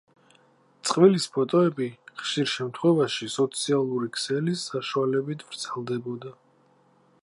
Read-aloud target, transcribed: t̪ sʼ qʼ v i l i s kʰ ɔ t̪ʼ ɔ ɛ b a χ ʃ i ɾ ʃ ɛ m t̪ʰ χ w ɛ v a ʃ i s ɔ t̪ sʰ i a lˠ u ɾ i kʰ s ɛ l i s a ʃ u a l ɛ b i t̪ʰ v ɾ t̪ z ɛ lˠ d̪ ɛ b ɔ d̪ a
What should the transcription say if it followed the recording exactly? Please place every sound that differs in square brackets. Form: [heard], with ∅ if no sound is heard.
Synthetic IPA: t̪ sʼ qʼ v i l i s [pʰ] ɔ t̪ʼ ɔ ɛ b [i] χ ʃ i ɾ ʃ ɛ m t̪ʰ χ w ɛ v a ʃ i s ɔ t̪ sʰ i a lˠ u ɾ i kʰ s ɛ l i s a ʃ u a l ɛ b i t̪ʰ v ɾ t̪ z ɛ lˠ d̪ ɛ b ɔ d̪ a